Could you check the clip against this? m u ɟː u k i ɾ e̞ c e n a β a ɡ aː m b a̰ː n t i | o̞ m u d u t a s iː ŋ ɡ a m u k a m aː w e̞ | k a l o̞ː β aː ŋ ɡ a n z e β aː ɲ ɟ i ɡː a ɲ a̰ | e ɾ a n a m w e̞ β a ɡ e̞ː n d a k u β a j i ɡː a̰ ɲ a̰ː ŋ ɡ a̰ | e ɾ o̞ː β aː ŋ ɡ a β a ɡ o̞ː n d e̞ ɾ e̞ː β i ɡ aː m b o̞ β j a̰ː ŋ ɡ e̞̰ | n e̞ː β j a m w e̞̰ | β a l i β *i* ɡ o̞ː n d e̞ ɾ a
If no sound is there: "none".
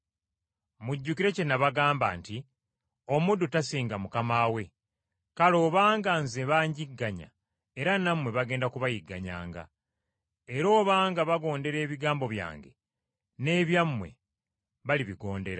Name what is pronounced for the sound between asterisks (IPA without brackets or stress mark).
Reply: i